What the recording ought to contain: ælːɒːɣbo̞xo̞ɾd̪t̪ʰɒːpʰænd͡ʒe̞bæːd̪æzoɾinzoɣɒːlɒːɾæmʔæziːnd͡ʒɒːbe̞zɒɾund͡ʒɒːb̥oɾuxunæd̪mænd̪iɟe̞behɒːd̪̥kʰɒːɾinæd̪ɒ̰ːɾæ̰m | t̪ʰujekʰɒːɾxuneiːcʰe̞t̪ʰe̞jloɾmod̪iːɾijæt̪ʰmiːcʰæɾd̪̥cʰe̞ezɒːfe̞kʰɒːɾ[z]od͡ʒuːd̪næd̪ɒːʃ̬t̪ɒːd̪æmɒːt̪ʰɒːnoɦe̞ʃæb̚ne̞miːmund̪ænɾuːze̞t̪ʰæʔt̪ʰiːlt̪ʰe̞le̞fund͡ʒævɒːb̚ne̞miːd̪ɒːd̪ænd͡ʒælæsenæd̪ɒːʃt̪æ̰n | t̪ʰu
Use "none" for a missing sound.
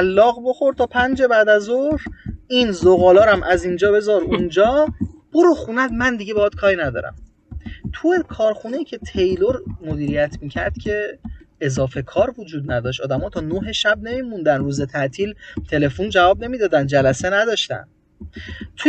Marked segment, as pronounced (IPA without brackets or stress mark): v